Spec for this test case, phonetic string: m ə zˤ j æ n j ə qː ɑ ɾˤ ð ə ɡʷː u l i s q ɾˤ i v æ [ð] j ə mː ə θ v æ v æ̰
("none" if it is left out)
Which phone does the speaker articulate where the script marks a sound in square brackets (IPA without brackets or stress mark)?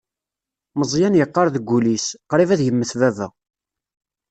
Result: ð